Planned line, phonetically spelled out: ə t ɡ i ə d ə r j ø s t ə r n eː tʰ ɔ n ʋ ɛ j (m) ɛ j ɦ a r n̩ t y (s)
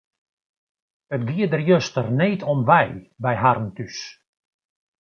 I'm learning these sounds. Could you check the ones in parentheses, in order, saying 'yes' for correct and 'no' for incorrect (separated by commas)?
no, yes